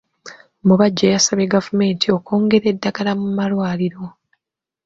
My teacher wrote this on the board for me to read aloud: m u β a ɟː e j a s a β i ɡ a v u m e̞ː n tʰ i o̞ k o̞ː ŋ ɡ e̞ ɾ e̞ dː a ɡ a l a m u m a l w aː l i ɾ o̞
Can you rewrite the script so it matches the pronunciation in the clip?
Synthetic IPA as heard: m u β a ɟː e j a s a β e ɡ a v u m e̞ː n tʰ i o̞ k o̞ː ŋ ɡ e̞ ɾ e̞ dː a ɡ a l a m u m a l w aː l i ɾ o̞